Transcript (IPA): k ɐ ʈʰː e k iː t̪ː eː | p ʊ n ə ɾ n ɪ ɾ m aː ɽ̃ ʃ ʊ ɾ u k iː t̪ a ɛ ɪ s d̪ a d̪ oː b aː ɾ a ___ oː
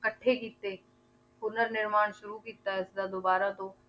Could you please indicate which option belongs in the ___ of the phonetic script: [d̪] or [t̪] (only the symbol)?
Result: t̪